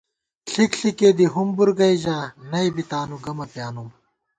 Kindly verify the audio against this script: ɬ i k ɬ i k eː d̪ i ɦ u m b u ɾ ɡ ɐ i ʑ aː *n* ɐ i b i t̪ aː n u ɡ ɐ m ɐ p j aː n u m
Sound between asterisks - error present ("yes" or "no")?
no